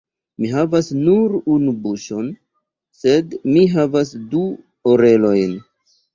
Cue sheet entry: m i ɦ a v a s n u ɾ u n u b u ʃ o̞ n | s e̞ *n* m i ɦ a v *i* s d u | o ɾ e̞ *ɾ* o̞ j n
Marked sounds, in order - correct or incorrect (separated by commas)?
incorrect, incorrect, incorrect